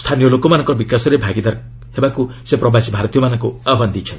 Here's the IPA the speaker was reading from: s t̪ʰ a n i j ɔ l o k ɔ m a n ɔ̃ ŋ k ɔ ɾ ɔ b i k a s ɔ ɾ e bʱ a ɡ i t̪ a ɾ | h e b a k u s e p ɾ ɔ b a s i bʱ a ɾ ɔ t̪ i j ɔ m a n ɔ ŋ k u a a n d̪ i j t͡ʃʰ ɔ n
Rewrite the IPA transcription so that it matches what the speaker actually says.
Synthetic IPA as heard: s t̪ʰ a n i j ɔ l o k ɔ m a n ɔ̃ ŋ k ɔ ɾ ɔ b i k a s ɔ ɾ e bʱ a ɡ i d̪ a ɾ | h e b a k u s e p ɾ ɔ b a s i bʱ a ɾ ɔ t̪ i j ɔ m a n ɔ ŋ k u a a n d̪ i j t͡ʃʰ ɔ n